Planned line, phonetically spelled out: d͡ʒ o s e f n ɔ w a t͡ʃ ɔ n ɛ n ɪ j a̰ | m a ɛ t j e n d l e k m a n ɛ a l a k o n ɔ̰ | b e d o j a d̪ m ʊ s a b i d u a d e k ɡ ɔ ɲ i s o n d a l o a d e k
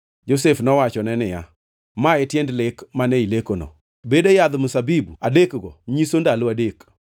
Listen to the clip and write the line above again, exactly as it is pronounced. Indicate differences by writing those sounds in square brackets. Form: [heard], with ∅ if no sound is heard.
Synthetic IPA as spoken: d͡ʒ o s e f n ɔ w a t͡ʃ ɔ n ɛ n ɪ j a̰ | m a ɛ t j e n d l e k m a n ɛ [i] l [e] k o n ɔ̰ | b e d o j a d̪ m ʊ s a b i [b] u a d e k ɡ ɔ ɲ i s o n d a l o a d e k